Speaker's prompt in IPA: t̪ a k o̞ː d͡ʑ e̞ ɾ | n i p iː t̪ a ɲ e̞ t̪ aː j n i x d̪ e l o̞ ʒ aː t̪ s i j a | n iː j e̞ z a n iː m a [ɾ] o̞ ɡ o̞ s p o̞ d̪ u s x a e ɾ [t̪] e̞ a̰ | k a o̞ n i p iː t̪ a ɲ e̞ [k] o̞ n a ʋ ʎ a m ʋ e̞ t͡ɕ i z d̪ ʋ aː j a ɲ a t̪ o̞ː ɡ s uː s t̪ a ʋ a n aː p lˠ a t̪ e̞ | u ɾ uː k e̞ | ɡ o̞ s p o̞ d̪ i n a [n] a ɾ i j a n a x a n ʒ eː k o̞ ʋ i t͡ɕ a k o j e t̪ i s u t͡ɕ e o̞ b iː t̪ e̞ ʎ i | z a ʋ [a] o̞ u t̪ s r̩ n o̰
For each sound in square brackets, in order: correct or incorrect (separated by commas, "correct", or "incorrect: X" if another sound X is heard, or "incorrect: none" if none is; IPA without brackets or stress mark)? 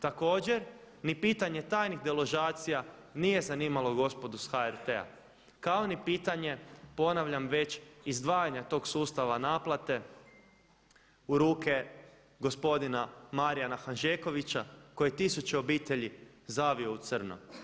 incorrect: l, correct, incorrect: p, incorrect: m, incorrect: i